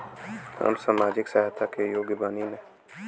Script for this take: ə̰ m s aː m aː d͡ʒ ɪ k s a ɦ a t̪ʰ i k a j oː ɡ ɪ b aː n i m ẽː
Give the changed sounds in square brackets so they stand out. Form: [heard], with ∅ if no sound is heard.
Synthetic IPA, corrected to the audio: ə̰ m s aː m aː d͡ʒ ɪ k s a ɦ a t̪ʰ [a] k [e] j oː ɡ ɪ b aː n i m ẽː